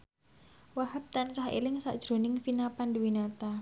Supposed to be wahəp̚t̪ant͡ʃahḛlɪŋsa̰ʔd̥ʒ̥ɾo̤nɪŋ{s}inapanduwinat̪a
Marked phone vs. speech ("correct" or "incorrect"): incorrect